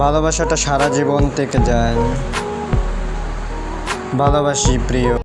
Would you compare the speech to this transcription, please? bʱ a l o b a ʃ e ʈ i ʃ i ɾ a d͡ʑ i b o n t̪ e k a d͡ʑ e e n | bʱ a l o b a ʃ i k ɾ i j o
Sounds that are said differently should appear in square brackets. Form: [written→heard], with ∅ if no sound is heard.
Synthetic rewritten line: bʱ a l o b a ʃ [e→a] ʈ [i→a] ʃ [i→a] ɾ a d͡ʑ i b o n t̪ e k [a→e] d͡ʑ [e→a] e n | bʱ a l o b a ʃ i [k→p] ɾ i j o